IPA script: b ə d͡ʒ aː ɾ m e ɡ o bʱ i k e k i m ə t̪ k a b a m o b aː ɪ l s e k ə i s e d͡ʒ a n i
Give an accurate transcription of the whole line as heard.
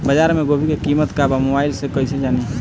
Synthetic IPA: b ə d͡ʒ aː ɾ m e ɡ o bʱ i k e k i m ə t̪ k a b a m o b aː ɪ l s e k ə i s e d͡ʒ a n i

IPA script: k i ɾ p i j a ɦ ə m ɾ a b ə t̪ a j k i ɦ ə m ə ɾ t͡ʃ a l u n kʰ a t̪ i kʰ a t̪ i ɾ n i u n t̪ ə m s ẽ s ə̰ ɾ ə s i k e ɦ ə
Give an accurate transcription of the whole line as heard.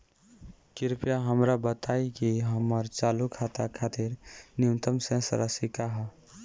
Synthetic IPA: k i ɾ p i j a ɦ ə m ɾ a b ə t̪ a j k i ɦ ə m ə ɾ t͡ʃ a l u kʰ a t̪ a kʰ a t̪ i ɾ n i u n t̪ ə m s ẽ s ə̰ ɾ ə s i k a ɦ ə

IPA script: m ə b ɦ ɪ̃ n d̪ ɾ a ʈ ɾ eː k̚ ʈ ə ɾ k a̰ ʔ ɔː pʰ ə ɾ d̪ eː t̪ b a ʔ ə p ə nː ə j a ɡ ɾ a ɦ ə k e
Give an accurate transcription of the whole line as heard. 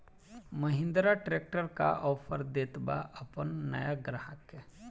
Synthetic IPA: m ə ɦ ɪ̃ n d̪ ɾ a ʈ ɾ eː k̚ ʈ ə ɾ k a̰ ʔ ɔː pʰ ə ɾ d̪ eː t̪ b a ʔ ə p ə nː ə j a ɡ ɾ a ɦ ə k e

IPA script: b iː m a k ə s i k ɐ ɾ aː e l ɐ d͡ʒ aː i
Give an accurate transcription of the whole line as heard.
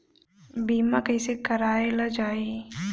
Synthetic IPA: b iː m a k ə s e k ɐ ɾ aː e l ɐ d͡ʒ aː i

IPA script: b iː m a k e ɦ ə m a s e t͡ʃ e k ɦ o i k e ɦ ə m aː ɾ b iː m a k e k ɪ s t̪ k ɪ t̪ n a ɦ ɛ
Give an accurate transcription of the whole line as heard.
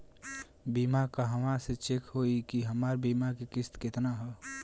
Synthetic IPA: b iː m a k a ɦ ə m a s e t͡ʃ e k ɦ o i k i ɦ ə m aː ɾ b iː m a k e k ɪ s t̪ k ɪ t̪ n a ɦ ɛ

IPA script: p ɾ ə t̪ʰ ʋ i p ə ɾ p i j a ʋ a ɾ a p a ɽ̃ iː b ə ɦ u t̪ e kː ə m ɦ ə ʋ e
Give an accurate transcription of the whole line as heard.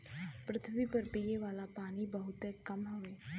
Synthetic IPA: p ɾ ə t̪ʰ ʋ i p ə ɾ p i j e ʋ a l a p a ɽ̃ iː b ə ɦ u t̪ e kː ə m ɦ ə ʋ e

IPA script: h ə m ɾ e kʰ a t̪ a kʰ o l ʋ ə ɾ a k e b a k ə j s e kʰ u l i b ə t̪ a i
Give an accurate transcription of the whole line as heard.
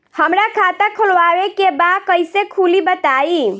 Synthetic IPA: h ə m ɾ a kʰ a t̪ a kʰ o l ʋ a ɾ e k e b a k ə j s e kʰ u l i b ə t̪ a i

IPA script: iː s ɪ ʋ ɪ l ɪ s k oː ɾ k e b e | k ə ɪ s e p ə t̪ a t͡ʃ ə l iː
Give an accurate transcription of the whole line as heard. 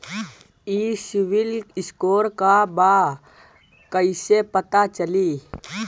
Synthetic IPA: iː s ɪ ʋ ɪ l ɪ s k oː ɾ k a b a | k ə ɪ s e p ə t̪ a t͡ʃ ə l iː

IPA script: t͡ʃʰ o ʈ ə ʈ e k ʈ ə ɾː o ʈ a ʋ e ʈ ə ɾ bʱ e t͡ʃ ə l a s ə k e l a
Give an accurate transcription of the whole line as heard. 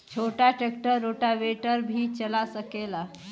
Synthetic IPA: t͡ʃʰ o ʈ a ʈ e k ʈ ə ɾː o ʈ a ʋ e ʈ ə ɾ bʱ i t͡ʃ ə l a s ə k e l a

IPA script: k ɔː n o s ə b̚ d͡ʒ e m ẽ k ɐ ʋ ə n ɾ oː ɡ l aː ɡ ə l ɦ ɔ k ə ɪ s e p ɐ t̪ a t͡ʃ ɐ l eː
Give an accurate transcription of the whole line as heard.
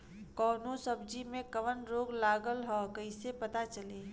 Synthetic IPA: k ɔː n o s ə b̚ d͡ʒ i m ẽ k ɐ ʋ ə n ɾ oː ɡ l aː ɡ ə l ɦ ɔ k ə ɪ s e p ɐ t̪ a t͡ʃ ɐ l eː

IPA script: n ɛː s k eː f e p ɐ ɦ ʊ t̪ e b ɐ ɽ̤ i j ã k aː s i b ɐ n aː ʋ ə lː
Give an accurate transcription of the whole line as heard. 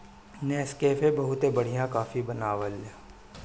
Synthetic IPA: n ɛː s k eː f e b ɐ ɦ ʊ t̪ e b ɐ ɽ̤ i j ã k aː f i b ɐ n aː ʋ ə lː

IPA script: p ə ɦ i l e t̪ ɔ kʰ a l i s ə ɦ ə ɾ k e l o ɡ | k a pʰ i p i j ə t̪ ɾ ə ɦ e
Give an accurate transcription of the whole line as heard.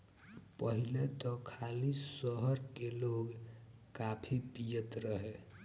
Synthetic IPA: p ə ɦ i l e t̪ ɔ kʰ a l i s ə ɦ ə ɾ k e l o ɡ | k a pʰ i p i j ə t̪ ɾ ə ɦ e

